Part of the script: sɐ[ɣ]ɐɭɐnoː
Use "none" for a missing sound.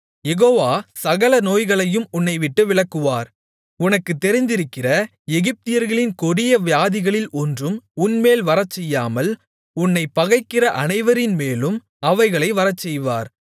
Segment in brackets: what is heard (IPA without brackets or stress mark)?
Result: ɣ